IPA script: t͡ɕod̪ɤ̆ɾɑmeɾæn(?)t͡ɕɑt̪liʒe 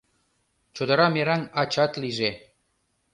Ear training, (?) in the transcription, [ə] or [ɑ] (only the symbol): ɑ